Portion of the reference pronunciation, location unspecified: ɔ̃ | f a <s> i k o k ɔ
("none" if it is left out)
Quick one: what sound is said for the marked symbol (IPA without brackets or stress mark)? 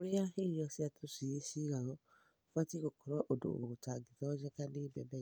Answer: t